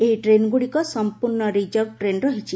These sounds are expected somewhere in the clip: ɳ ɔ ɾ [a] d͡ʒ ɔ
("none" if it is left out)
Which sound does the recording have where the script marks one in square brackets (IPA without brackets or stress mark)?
i